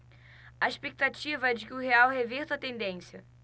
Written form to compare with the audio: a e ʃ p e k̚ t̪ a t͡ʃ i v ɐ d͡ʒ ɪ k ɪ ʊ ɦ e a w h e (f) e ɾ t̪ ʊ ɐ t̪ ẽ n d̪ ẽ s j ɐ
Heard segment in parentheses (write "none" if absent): v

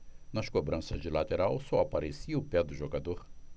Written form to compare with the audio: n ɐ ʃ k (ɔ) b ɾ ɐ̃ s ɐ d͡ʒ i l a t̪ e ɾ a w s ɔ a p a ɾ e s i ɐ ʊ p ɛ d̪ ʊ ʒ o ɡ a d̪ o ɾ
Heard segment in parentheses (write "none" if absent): o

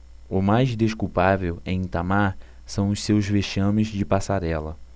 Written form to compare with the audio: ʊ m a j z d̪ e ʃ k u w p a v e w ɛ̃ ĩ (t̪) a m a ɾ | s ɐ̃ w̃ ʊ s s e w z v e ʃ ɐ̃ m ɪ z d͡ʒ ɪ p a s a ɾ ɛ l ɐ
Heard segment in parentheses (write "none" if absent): t̪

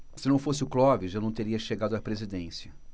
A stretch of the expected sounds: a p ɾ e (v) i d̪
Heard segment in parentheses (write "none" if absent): z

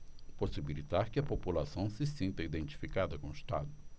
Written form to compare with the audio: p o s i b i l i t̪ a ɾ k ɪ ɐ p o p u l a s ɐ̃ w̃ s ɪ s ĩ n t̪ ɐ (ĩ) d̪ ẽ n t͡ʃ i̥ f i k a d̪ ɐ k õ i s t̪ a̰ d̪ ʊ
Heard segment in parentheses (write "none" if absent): i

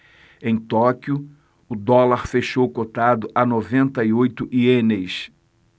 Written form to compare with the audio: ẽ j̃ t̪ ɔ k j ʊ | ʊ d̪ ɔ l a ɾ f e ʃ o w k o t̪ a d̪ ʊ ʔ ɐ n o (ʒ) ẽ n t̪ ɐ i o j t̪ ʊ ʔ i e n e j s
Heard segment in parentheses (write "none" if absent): v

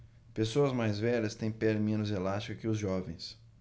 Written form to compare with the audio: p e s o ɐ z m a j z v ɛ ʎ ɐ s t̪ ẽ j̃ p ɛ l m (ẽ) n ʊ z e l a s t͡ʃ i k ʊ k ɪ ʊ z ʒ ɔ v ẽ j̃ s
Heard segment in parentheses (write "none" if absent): ẽ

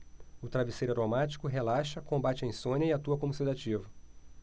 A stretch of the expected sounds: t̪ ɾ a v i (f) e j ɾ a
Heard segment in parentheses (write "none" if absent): s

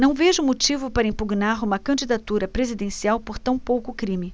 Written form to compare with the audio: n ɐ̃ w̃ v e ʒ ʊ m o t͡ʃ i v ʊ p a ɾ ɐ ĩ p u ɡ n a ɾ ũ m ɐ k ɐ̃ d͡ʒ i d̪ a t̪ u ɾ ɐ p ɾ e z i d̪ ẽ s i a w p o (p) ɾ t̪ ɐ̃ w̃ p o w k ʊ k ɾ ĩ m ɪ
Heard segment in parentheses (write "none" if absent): none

